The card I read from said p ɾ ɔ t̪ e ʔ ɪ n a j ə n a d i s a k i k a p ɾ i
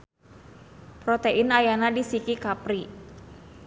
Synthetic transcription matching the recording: p ɾ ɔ t̪ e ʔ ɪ n a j a n a d i s i k i k a p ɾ i

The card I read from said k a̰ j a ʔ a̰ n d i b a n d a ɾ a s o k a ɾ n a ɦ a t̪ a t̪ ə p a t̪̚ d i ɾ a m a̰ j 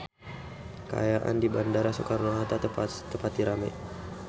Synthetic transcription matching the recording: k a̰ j a ʔ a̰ n d i b a n d a ɾ a s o k a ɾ n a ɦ a t̪ a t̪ ə p a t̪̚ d i ɾ a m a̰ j

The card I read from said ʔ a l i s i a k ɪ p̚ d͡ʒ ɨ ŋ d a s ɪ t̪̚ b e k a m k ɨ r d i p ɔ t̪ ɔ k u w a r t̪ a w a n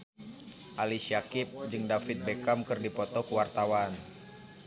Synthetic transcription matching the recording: ʔ a l i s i a k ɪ p̚ d͡ʒ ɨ ŋ d a f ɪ t̪̚ b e k a m k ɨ r d i p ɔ t̪ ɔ k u w a r t̪ a w a n

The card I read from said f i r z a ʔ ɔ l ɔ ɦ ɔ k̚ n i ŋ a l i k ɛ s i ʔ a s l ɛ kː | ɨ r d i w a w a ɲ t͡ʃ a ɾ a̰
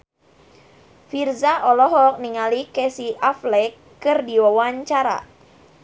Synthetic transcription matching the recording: f i r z a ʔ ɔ l ɔ ɦ ɔ k̚ n i ŋ a l i k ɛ s i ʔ a f l ɛ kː | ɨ r d i w a w a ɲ t͡ʃ a ɾ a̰

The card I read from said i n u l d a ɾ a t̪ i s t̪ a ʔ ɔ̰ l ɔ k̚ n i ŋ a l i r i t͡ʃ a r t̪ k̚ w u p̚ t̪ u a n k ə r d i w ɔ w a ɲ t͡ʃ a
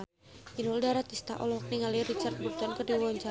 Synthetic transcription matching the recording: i n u l d a ɾ a t̪ i s t̪ a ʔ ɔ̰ l ɔ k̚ n i ŋ a l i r i t͡ʃ a r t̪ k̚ b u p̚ t̪ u a n k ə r d i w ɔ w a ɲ t͡ʃ a

